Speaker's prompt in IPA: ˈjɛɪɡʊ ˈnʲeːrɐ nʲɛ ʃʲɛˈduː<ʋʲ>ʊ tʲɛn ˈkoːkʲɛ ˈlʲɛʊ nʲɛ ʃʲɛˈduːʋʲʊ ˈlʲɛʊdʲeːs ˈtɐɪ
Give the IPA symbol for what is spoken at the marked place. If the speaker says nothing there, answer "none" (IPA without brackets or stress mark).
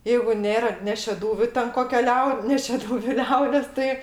ʋʲ